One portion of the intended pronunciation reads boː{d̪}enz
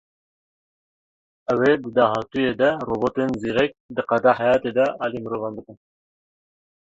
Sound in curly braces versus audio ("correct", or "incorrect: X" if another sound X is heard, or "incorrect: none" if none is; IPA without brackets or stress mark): incorrect: t̪